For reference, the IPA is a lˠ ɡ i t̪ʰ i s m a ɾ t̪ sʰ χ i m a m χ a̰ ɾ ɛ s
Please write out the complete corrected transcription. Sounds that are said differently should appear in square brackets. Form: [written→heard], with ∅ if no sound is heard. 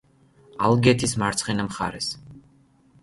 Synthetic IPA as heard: a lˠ ɡ [i→ɛ] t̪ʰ i s m a ɾ t̪ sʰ χ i [m→n] a m χ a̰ ɾ ɛ s